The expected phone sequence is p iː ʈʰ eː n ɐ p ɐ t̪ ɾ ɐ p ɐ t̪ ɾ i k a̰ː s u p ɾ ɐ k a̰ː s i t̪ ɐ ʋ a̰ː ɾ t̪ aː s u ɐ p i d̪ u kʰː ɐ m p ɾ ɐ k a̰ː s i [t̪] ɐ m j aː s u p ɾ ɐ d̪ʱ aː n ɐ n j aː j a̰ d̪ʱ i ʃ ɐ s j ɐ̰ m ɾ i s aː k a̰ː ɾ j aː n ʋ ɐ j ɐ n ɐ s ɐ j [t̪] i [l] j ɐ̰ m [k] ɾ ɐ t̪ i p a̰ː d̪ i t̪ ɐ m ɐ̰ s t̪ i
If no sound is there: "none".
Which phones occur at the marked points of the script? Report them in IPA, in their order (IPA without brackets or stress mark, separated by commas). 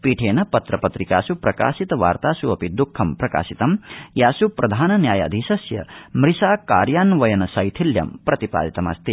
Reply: t̪, t̪ʰ, l, p